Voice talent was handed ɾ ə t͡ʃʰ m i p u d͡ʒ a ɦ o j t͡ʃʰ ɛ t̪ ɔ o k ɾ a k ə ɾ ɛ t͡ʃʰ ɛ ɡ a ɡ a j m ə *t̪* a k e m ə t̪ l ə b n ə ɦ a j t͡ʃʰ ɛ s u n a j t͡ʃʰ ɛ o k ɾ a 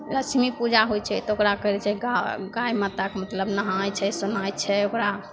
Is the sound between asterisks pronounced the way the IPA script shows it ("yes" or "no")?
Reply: yes